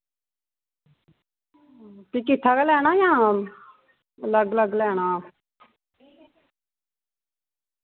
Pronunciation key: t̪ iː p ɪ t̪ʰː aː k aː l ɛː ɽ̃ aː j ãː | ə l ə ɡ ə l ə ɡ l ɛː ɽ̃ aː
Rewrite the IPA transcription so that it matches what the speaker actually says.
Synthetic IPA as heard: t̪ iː k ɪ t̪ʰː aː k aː l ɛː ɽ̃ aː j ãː | ə l ə ɡ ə l ə ɡ l ɛː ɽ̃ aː